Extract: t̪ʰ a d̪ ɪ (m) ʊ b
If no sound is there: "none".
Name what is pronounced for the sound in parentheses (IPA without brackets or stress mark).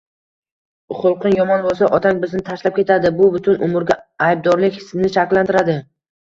b